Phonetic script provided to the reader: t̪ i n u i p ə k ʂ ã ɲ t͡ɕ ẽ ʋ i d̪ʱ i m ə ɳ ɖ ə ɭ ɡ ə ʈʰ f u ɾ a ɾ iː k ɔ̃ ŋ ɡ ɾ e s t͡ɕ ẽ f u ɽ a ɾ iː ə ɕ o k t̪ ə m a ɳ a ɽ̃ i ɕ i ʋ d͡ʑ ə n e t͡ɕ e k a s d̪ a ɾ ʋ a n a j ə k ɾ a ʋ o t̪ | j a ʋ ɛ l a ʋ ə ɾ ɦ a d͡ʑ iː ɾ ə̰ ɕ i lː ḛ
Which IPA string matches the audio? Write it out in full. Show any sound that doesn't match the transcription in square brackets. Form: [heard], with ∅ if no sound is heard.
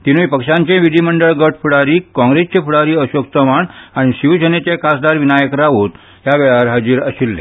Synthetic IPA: t̪ i n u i p ə k ʂ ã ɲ t͡ɕ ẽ ʋ i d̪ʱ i m ə ɳ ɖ ə ɭ ɡ ə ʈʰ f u [ɽ] a ɾ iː k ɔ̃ ŋ ɡ ɾ e s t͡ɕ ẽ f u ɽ a ɾ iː ə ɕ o k t̪ ə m a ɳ a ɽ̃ i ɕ i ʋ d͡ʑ ə n e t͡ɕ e k a s d̪ a ɾ ʋ [i] n a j ə k ɾ a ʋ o t̪ | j a ʋ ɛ [ɭ] a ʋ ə ɾ ɦ a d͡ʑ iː ɾ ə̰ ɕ i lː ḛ